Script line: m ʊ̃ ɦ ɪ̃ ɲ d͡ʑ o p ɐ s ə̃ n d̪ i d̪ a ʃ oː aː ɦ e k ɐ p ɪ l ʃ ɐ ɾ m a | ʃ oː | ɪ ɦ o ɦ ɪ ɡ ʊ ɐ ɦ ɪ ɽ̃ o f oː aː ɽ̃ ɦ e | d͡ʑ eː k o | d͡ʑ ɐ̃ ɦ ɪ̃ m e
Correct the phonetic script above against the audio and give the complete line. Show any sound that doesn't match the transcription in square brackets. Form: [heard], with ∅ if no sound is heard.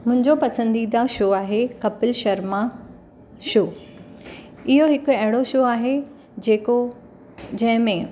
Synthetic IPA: m ʊ̃ ɦ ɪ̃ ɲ d͡ʑ o p ɐ s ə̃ n d̪ i d̪ a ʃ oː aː ɦ e k ɐ p ɪ l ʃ ɐ ɾ m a | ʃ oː | ɪ ɦ o ɦ ɪ [k] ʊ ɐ ɦ ɪ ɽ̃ o [ʃ] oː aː [∅] ɦ e | d͡ʑ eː k o | d͡ʑ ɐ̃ ɦ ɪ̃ m [ẽ]

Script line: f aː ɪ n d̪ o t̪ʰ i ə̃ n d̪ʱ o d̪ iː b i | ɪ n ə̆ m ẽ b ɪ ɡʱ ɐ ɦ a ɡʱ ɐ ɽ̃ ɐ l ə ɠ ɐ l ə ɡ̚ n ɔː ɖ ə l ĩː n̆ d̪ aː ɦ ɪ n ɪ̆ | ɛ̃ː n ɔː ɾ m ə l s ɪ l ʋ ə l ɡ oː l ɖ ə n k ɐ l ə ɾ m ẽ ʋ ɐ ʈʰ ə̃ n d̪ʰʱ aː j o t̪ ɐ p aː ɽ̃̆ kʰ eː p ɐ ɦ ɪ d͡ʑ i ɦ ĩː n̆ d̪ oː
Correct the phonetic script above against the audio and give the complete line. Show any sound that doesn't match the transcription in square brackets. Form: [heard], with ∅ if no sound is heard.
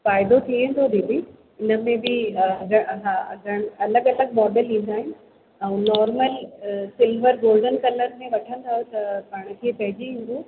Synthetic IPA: f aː ɪ [∅] d̪ o t̪ʰ i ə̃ n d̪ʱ o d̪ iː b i | ɪ n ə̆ m ẽ b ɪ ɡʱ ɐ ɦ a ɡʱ ɐ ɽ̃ ɐ l ə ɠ ɐ l ə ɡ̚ [m] ɔː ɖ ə l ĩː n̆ d̪ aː ɦ ɪ n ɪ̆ | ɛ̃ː n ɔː ɾ m ə l s ɪ l ʋ ə [ɾ] ɡ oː l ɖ ə n k ɐ l ə ɾ m ẽ ʋ ɐ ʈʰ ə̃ n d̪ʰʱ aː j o t̪ ɐ p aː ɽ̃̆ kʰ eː p ɐ ɦ ɪ d͡ʑ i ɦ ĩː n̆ d̪ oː

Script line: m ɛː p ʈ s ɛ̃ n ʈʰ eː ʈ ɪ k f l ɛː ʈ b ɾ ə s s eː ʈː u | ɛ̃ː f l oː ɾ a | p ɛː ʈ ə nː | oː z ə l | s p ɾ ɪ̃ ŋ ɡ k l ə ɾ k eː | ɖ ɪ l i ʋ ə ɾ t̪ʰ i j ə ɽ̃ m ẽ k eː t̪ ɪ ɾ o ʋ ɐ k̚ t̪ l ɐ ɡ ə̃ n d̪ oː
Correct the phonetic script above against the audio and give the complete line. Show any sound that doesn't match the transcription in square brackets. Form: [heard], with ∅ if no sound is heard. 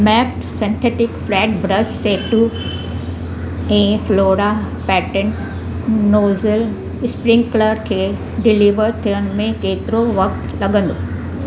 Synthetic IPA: m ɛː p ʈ s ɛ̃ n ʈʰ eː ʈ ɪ k f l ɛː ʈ b ɾ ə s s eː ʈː u | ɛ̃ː f l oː ɾ a | p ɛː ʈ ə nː | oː z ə l | s p ɾ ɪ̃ ŋ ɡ k l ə ɾ [kʰ] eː | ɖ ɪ l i ʋ ə ɾ t̪ʰ i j ə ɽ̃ m ẽ k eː t̪ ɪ ɾ o ʋ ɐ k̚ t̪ l ɐ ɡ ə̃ n d̪ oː

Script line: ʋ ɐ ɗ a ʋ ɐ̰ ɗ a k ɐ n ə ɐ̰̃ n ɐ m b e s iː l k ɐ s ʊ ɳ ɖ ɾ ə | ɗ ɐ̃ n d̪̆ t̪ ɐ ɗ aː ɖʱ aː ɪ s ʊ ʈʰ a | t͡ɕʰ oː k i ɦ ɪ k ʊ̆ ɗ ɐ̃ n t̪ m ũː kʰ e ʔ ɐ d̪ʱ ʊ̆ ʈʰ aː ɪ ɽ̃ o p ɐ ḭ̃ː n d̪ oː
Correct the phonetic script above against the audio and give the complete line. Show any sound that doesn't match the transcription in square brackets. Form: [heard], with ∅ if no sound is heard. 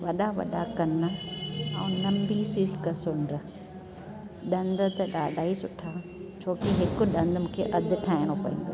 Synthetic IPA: ʋ ɐ ɗ a ʋ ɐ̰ ɗ a k ɐ n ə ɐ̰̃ n ɐ m b [i] s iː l k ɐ s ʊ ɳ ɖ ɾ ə | ɗ ɐ̃ n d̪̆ t̪ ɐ ɗ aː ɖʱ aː [i] s ʊ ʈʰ a | t͡ɕʰ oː k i ɦ ɪ k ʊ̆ ɗ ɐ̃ n [d̪] m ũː kʰ e ʔ ɐ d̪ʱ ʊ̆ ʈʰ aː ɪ ɽ̃ o p ɐ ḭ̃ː n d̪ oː

